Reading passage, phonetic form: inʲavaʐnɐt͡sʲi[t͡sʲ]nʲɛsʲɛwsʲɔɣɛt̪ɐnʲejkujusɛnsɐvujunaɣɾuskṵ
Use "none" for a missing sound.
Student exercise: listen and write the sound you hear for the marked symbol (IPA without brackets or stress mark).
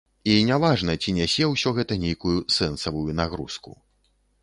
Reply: none